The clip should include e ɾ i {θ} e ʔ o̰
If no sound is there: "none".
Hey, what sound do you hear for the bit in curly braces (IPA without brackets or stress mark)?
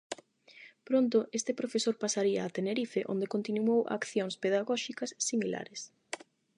f